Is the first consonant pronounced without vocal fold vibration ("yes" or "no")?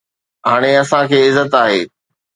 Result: no